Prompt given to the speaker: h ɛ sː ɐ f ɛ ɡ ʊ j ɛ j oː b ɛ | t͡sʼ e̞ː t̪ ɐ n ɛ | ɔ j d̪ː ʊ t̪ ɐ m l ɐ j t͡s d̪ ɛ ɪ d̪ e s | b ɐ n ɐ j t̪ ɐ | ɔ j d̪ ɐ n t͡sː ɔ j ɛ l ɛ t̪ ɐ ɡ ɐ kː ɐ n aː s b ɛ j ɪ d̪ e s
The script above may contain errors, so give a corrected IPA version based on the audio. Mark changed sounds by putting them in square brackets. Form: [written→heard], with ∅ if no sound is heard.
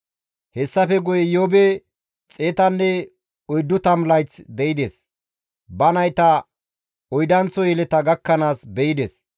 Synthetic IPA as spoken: h ɛ sː ɐ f ɛ ɡ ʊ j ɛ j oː b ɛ | t͡sʼ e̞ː t̪ ɐ [n→nː] ɛ | ɔ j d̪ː ʊ t̪ ɐ m l ɐ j t͡s d̪ ɛ ɪ d̪ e s | b ɐ n ɐ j t̪ ɐ | ɔ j d̪ ɐ n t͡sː ɔ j ɛ l ɛ t̪ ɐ ɡ ɐ kː ɐ n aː s b ɛ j ɪ d̪ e s